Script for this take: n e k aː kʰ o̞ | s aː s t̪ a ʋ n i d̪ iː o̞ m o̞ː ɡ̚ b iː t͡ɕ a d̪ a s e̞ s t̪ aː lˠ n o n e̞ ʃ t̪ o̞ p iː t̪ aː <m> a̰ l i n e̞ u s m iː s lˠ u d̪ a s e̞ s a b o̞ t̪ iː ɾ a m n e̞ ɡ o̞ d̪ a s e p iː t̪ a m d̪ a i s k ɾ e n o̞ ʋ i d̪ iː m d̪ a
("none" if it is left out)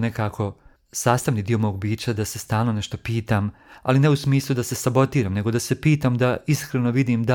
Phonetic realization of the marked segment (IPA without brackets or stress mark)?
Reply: m